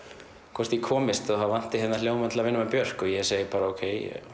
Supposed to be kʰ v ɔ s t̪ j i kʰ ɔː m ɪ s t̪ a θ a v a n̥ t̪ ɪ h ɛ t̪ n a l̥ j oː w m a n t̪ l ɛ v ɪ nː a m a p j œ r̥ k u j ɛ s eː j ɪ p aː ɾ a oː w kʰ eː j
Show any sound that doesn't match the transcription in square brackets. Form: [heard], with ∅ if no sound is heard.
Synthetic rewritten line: kʰ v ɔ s t̪ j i kʰ ɔː m ɪ s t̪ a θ a v a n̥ t̪ ɪ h ɛ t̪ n a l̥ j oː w m a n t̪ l [a] v ɪ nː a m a p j œ r̥ k [ɔ] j ɛ s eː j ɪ p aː ɾ a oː w kʰ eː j